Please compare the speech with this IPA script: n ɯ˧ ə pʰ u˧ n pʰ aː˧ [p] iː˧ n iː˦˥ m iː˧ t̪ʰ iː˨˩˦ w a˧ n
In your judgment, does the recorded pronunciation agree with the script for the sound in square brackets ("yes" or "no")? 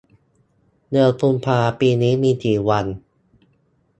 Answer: yes